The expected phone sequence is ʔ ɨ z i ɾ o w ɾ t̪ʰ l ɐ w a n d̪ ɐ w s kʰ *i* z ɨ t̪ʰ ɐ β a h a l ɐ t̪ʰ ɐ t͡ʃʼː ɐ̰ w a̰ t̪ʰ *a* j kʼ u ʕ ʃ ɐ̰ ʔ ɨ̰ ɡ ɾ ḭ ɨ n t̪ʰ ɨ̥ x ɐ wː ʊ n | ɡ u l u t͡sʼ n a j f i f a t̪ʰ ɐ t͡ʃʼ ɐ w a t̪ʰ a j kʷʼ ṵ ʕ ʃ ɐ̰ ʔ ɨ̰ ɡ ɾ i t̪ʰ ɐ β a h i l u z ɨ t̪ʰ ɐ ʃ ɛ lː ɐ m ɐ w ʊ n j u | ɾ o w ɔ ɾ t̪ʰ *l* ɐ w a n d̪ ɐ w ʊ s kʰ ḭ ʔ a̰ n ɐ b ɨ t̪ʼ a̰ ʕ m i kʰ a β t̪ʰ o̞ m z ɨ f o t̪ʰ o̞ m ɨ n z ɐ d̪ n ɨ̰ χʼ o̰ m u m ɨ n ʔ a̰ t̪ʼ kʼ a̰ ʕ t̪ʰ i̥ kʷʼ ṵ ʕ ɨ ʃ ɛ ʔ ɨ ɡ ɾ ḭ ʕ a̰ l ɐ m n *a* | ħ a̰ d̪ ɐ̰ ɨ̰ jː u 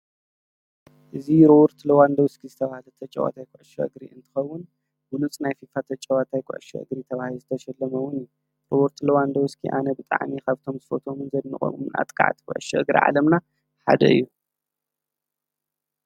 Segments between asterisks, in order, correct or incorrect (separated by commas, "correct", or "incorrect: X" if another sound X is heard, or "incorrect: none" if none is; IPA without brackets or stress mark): correct, correct, correct, correct